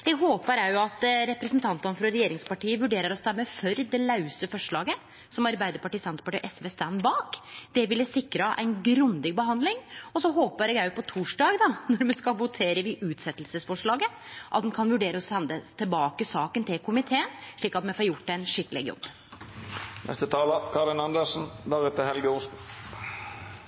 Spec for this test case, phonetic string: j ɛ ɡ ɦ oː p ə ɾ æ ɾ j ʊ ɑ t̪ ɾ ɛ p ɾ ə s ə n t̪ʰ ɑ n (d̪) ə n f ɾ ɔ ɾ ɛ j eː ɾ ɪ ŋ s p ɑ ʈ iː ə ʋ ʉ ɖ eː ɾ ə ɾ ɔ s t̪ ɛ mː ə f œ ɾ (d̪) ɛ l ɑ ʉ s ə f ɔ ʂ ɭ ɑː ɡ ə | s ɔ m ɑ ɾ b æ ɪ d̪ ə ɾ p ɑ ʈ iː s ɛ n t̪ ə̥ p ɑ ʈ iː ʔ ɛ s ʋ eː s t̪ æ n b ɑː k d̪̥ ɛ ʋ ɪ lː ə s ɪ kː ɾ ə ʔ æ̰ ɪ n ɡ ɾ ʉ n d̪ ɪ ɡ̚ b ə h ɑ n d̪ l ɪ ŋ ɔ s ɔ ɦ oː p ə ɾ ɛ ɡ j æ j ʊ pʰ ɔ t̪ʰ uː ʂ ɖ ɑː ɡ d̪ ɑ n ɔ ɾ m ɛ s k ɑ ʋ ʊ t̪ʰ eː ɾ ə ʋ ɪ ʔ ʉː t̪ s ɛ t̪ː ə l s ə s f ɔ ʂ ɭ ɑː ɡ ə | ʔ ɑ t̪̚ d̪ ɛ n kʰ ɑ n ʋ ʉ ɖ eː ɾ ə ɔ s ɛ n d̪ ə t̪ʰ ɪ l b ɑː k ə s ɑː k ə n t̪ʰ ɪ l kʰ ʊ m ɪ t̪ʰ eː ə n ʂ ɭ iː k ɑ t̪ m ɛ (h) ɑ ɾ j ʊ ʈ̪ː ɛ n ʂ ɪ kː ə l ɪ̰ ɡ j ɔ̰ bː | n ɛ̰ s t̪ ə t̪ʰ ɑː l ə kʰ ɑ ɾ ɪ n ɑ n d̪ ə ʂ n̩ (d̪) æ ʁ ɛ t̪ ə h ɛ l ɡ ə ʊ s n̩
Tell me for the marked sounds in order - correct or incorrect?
incorrect: t̪, correct, incorrect: f, correct

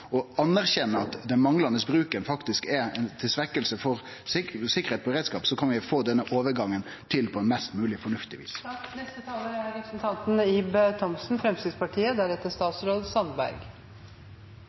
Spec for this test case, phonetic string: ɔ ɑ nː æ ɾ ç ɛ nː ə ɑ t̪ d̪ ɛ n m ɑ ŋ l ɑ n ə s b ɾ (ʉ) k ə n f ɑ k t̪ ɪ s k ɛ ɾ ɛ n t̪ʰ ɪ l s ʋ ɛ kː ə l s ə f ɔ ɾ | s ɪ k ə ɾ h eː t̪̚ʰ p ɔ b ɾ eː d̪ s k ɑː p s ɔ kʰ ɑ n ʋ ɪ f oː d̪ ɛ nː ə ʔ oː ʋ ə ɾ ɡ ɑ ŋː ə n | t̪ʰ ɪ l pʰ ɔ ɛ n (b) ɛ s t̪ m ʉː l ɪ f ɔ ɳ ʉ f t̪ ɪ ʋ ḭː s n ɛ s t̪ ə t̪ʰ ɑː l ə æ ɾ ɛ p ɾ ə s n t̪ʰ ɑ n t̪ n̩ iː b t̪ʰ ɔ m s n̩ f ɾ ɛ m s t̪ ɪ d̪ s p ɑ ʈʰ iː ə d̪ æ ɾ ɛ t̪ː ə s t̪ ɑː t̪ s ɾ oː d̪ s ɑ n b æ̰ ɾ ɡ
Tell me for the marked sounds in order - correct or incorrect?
incorrect: ʉː, incorrect: m

